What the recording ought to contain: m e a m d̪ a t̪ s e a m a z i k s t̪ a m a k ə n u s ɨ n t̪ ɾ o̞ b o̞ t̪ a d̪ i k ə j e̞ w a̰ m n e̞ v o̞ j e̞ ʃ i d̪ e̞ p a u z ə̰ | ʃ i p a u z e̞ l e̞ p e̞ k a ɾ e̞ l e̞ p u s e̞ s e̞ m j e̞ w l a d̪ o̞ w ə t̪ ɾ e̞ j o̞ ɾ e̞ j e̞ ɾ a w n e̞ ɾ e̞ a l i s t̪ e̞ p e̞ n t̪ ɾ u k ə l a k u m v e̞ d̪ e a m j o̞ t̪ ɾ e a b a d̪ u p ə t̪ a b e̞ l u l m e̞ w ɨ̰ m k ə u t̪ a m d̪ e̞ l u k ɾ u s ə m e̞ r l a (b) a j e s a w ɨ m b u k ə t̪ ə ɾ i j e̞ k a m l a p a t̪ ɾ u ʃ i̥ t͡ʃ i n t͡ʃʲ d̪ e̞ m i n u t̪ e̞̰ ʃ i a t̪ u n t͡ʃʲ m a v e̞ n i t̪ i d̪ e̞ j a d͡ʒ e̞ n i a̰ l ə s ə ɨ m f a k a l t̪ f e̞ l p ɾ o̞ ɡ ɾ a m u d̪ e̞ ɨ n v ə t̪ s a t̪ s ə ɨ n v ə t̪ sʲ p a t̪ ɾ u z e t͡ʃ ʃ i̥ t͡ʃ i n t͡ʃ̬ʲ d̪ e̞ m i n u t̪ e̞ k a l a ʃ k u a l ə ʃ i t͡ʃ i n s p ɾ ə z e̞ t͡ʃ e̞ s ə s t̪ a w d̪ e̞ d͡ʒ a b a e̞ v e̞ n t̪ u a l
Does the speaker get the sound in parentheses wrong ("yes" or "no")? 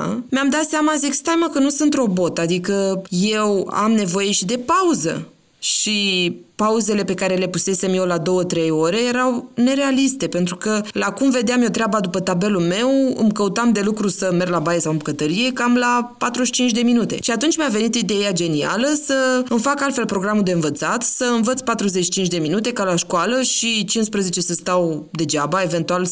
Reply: no